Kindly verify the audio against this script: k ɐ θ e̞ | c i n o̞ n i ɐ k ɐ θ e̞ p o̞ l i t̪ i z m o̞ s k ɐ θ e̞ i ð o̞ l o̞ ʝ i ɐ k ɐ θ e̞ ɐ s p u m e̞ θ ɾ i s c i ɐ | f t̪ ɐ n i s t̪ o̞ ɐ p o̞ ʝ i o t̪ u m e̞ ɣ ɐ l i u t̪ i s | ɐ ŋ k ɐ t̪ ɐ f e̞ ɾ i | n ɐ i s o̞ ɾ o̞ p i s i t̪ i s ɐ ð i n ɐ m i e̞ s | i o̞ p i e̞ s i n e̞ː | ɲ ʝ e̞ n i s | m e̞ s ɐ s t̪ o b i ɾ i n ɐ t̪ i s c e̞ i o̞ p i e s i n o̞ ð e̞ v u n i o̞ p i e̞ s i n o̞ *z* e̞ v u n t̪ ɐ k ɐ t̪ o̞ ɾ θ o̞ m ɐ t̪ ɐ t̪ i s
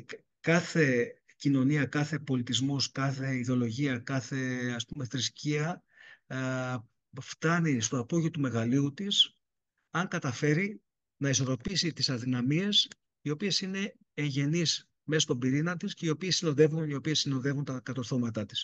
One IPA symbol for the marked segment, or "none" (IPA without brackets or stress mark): ð